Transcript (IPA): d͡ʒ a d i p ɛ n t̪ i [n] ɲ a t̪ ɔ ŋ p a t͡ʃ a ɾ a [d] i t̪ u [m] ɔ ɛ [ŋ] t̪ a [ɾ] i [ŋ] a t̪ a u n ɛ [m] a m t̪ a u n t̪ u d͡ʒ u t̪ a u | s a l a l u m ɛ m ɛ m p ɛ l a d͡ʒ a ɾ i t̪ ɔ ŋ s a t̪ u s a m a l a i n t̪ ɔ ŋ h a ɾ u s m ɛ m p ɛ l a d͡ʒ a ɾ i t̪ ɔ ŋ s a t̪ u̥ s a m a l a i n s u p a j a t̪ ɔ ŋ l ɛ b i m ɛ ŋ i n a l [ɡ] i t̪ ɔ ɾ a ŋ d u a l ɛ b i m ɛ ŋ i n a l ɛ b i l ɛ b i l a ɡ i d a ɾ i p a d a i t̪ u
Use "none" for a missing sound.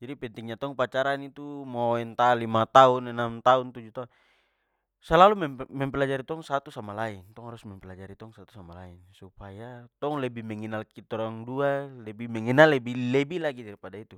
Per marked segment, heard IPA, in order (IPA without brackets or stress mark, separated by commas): ŋ, n, m, n, l, m, n, k